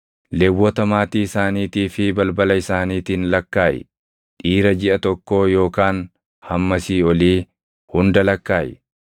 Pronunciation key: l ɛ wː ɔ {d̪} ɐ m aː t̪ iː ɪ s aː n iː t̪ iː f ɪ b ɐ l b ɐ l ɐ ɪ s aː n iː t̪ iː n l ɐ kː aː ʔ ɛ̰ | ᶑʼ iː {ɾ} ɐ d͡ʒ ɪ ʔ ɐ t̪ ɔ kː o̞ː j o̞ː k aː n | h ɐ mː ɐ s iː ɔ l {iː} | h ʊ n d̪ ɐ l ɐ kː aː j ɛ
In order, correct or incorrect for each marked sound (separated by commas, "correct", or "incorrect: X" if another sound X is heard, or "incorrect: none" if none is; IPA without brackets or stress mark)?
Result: incorrect: t̪, correct, correct